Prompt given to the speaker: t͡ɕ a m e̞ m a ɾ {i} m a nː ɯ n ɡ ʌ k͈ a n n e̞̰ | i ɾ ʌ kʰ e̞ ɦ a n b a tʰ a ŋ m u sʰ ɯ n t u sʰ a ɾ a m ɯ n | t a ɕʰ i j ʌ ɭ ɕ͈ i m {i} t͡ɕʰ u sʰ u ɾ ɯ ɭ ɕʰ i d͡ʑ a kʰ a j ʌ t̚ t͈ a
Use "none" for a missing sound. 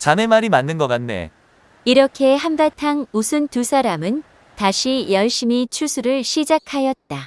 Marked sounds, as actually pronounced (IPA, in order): i, i

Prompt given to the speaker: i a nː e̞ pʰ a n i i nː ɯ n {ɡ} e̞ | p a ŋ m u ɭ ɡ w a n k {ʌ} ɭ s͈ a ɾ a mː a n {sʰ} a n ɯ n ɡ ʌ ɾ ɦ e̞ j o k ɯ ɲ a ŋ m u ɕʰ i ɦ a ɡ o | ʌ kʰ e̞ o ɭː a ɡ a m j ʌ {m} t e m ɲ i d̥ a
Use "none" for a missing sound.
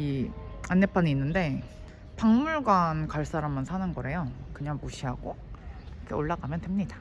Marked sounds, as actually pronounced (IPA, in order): d, a, sʰ, n

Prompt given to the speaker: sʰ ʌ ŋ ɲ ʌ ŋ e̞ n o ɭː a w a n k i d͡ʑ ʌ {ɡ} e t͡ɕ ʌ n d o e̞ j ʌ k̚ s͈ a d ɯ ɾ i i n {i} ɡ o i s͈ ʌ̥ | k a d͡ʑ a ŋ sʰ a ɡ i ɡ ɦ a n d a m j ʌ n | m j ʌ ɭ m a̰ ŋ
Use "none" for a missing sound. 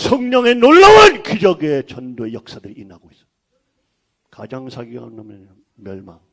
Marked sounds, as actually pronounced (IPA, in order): ɡ, a

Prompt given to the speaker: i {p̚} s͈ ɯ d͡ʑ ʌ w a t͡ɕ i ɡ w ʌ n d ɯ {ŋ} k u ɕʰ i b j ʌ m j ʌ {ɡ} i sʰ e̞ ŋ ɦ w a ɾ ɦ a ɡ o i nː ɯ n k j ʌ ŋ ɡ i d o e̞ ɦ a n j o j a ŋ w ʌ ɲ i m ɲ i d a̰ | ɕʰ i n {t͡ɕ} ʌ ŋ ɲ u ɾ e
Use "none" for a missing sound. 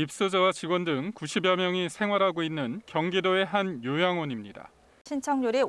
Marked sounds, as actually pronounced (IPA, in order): p̚, ŋ, ŋ, t͡ɕʰ

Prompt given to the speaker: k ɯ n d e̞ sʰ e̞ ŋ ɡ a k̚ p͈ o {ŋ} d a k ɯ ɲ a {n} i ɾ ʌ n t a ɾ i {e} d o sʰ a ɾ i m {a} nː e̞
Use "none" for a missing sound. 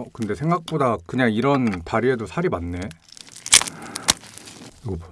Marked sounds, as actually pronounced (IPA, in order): none, ŋ, e, a

